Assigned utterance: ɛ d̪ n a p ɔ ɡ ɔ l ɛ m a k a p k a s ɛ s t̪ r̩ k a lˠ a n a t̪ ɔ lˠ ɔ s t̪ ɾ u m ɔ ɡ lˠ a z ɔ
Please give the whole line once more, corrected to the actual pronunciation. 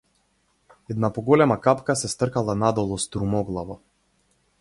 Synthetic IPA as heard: ɛ d̪ n a p ɔ ɡ ɔ l ɛ m a k a p k a s ɛ s t̪ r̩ k a lˠ a n a d̪ ɔ lˠ ɔ s t̪ ɾ u m ɔ ɡ lˠ a v ɔ